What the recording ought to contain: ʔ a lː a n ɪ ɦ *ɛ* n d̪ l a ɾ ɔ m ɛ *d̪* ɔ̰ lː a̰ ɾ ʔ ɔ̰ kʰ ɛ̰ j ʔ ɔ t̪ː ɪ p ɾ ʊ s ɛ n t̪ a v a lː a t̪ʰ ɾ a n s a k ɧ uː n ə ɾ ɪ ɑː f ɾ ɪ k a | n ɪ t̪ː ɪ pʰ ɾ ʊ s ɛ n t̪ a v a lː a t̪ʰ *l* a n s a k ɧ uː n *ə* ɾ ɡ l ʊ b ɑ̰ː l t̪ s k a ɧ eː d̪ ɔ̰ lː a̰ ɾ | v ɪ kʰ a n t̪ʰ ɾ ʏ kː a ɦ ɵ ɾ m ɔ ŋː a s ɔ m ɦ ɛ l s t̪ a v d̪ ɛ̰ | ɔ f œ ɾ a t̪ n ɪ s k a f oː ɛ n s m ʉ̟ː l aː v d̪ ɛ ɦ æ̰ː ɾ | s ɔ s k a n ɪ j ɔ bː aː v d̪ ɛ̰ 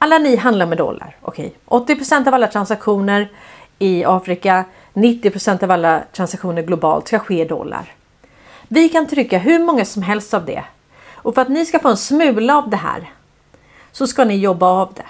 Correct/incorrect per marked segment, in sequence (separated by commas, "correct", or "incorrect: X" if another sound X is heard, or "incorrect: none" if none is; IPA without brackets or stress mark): incorrect: a, correct, incorrect: ɾ, correct